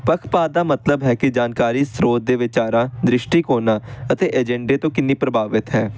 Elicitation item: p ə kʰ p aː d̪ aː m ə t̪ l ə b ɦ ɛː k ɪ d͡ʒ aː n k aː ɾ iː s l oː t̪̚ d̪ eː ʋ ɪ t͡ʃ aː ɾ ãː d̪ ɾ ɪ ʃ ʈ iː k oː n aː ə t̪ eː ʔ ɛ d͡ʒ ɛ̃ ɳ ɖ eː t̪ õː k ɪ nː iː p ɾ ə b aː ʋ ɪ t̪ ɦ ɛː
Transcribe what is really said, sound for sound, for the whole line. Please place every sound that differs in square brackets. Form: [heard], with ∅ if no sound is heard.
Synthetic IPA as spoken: p ə kʰ p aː d̪ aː m ə t̪ l ə b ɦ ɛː k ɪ d͡ʒ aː n k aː ɾ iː s [ɾ] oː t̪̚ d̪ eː ʋ ɪ t͡ʃ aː ɾ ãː d̪ ɾ ɪ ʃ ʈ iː k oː n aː ə t̪ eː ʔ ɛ d͡ʒ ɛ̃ ɳ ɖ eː t̪ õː k ɪ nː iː p ɾ ə b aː ʋ ɪ t̪ ɦ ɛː